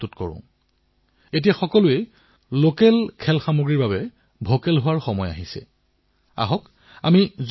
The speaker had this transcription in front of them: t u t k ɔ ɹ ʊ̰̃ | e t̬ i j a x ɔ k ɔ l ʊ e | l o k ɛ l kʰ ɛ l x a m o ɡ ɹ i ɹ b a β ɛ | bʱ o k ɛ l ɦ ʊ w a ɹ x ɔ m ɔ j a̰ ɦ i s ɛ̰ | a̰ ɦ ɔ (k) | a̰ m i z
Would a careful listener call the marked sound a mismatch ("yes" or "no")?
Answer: no